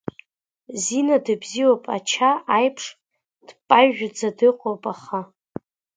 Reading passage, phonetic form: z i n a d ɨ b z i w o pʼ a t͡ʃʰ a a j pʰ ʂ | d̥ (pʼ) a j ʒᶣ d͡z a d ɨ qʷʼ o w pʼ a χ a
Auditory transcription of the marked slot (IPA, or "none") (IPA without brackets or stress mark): pʼ